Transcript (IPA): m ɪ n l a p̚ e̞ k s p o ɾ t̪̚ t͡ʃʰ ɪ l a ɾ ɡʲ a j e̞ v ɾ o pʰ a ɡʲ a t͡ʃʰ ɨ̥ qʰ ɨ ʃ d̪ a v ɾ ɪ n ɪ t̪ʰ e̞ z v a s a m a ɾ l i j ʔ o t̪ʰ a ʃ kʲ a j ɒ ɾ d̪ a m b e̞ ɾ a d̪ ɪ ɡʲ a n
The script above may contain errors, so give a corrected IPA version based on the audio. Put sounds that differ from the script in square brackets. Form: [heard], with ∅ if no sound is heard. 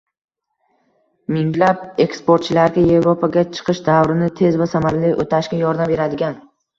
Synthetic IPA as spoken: m ɪ [ŋ] l a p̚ e̞ k s p o ɾ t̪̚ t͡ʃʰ ɪ l a ɾ ɡʲ a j e̞ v ɾ o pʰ a ɡʲ a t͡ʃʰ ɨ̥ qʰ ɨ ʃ d̪ a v ɾ ɪ n ɪ t̪ʰ e̞ z v a s a m a ɾ l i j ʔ o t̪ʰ a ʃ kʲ a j ɒ ɾ d̪ a m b e̞ ɾ a d̪ ɪ ɡʲ a n